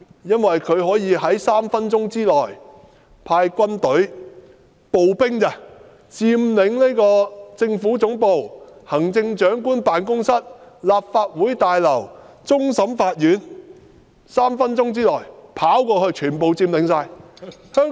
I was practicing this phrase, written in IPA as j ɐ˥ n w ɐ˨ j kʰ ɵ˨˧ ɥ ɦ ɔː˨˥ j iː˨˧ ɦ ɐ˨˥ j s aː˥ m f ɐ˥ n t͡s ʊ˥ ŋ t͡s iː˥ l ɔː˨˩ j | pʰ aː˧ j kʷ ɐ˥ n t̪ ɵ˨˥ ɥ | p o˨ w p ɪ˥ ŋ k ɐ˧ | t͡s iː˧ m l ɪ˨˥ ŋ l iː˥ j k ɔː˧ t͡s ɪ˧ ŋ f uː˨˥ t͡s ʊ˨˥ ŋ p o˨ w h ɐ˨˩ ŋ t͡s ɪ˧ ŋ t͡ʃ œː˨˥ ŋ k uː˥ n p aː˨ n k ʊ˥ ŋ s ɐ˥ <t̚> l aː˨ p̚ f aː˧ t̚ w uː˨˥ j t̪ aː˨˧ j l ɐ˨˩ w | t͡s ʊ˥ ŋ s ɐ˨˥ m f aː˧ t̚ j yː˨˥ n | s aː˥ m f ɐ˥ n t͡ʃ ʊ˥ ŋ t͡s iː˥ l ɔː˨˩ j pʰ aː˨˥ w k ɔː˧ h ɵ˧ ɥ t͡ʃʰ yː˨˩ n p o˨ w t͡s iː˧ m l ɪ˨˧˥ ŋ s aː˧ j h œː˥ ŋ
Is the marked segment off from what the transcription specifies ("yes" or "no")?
no